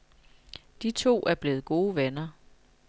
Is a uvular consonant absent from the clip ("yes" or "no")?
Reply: yes